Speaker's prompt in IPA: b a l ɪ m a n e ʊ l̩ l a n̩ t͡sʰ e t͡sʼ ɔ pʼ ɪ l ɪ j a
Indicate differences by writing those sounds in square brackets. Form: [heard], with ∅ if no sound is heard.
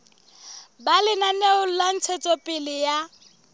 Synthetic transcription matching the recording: b a l ɪ [n] a n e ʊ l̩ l a n̩ t͡sʰ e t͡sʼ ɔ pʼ ɪ l ɪ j a